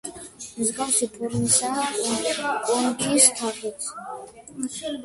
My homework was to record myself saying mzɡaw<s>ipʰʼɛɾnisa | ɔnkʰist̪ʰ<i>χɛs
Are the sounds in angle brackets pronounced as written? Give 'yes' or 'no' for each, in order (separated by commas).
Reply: yes, no